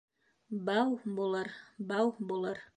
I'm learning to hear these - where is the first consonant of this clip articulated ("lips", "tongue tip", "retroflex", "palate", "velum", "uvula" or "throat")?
lips